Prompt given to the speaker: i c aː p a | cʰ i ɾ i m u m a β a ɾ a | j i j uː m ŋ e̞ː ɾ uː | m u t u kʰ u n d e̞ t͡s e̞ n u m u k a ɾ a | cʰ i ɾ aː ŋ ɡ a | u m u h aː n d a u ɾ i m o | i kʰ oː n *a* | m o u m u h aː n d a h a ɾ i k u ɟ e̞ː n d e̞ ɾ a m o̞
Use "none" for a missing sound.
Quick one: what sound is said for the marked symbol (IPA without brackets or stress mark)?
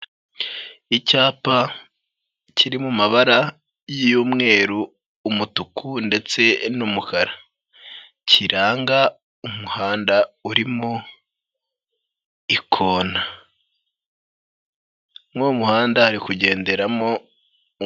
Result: a